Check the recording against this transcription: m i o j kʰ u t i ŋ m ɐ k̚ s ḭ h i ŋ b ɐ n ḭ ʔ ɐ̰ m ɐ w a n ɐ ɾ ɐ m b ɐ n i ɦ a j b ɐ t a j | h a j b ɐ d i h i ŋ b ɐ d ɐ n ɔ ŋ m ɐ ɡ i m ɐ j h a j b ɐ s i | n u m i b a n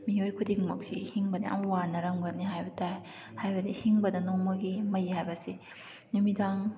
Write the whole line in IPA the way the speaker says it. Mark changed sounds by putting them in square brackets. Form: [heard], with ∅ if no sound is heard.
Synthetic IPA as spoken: m i o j kʰ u [d] i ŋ m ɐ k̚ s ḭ h i ŋ b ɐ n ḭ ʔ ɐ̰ m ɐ w a n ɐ ɾ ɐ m [ɡ] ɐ n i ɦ a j b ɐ t a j | h a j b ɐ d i h i ŋ b ɐ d ɐ n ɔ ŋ m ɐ ɡ i m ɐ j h a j b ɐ s i | n u m i [d] a [ŋ]